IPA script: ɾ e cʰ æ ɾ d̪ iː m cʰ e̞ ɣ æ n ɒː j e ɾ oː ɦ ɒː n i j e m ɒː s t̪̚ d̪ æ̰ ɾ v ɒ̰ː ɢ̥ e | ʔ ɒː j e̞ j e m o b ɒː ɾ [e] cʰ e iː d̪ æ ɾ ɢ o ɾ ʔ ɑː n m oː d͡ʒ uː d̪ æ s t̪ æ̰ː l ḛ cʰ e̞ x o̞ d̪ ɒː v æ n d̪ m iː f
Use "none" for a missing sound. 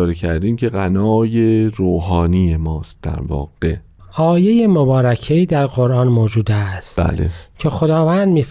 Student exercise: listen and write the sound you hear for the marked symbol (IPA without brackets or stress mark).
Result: æ